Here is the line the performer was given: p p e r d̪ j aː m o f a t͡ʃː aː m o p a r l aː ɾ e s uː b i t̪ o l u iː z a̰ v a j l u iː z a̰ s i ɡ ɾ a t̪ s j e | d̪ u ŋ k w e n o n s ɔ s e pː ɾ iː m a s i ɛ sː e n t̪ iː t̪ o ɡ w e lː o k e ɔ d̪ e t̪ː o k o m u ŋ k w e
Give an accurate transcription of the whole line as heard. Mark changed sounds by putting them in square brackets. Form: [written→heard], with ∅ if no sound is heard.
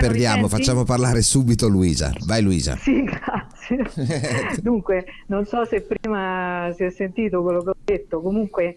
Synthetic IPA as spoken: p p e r d̪ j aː m o f a t͡ʃː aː m o p a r l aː ɾ e s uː b i t̪ o l u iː z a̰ v a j l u iː z a̰ s i ɡ ɾ a t̪ s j e | d̪ u ŋ k w e n o n s ɔ s e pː ɾ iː m a s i ɛ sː e n t̪ iː t̪ o [ɡ→k] w e lː o k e ɔ d̪ e t̪ː o k o m u ŋ k w e